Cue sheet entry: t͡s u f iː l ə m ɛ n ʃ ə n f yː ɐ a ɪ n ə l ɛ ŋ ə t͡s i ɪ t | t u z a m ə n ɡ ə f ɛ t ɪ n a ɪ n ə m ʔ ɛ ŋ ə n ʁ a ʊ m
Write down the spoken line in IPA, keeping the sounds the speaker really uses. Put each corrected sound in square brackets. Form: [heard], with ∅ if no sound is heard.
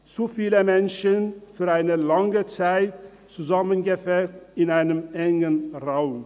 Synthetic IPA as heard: t͡s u f iː l ə m ɛ n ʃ ə n f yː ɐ a ɪ n ə l [a] ŋ ə t͡s [a] ɪ t | [t͡s] u z a m ə n ɡ ə f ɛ t ɪ n a ɪ n ə m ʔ ɛ ŋ ə n ʁ a ʊ m